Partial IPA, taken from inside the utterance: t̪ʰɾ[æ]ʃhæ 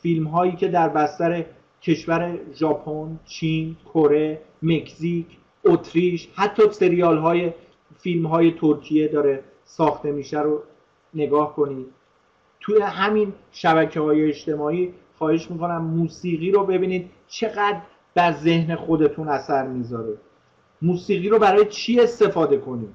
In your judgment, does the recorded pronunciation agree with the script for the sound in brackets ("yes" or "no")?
no